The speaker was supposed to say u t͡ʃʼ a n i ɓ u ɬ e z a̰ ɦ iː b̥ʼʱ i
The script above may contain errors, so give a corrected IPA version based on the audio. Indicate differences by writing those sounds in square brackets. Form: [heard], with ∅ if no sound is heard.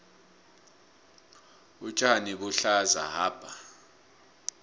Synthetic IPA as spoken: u t͡ʃʼ a n i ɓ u ɬ [a] z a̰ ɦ [aː] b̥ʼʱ [a]